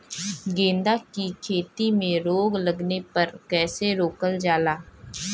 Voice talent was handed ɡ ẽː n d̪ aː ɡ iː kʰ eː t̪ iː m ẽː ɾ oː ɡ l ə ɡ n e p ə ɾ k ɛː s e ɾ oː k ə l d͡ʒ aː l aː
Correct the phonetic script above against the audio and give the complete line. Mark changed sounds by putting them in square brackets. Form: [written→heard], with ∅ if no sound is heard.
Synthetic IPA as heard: ɡ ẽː n d̪ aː [ɡ→k] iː kʰ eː t̪ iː m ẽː ɾ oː ɡ l ə ɡ n e p ə ɾ k ɛː s e ɾ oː k ə l d͡ʒ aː l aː